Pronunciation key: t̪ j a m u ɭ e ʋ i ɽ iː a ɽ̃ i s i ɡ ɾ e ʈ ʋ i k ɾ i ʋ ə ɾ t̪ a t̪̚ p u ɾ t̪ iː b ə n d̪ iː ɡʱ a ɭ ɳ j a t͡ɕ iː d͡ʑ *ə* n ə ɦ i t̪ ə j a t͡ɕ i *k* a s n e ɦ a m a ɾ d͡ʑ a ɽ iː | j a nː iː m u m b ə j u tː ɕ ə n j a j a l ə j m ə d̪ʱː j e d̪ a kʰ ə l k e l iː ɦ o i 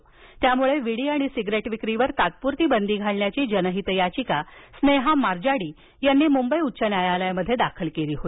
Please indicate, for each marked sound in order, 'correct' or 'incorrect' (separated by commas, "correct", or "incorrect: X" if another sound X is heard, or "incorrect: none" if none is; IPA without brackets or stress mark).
correct, correct